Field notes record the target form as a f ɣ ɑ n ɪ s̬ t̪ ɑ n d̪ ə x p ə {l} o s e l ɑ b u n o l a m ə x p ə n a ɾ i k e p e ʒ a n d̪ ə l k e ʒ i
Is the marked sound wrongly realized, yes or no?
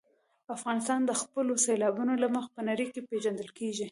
no